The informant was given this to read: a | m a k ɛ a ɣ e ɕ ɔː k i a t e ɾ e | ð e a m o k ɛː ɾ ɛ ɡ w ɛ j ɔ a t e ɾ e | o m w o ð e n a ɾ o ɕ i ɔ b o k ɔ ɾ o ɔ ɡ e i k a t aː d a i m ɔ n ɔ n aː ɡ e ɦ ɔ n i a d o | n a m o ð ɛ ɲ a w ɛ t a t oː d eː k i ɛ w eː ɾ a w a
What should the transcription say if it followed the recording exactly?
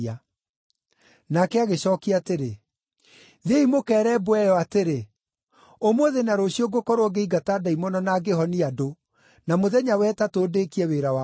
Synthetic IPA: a | n a k ɛ a ɣ e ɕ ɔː k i a t e ɾ e | ð e i m o k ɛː ɾ ɛ b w ɛ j ɔ a t e ɾ e | o m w o ð e n a ɾ o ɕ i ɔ ɡ o k ɔ ɾ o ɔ ɡ e i ɡ a t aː d a i m ɔ n ɔ n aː ɡ e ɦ ɔ n i a d o | n a m o ð ɛ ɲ a w ɛ t a t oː d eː k i ɛ w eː ɾ a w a